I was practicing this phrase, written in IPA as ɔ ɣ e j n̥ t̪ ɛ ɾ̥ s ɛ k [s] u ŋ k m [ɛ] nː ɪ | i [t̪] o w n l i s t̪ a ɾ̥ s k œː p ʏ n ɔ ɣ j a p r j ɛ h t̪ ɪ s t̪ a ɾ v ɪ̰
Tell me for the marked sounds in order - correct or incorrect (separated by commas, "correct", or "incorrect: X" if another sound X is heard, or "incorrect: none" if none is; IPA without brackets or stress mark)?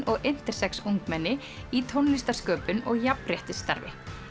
correct, correct, incorrect: t̪ʰ